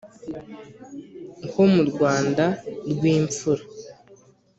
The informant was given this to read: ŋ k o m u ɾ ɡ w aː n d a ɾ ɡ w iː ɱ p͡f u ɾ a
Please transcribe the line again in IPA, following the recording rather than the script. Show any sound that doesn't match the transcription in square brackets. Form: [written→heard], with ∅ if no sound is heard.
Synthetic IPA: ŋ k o m u ɾ ɡ w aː n d a ɾ ɡ w iː ɱ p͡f u ɾ a